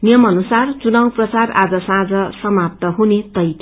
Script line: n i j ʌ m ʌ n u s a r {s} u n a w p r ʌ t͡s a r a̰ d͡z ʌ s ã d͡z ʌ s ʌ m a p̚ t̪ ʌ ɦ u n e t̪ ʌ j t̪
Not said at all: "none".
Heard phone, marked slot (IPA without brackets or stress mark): t͡s